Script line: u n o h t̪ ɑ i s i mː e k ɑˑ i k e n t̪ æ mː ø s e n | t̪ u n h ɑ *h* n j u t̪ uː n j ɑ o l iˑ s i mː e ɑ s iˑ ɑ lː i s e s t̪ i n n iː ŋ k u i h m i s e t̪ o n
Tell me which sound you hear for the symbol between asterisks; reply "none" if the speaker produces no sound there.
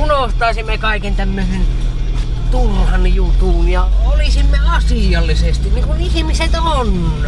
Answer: none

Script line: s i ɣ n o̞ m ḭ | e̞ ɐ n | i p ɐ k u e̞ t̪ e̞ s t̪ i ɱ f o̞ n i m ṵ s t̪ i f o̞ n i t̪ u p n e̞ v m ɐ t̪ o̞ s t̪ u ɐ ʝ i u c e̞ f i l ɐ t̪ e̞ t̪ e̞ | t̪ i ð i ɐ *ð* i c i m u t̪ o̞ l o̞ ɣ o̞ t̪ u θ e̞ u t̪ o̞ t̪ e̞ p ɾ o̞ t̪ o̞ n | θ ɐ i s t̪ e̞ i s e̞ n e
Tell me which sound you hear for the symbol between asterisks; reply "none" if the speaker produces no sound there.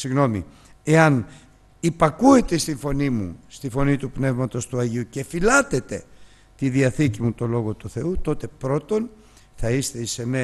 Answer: θ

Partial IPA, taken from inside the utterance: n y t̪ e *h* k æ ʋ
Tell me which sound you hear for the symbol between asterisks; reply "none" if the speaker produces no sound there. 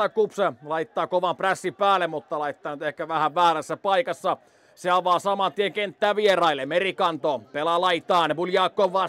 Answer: h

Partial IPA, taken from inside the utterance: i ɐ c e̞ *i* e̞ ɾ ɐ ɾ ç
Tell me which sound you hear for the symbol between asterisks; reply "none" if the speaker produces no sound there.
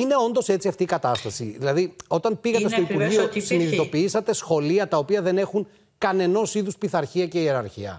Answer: i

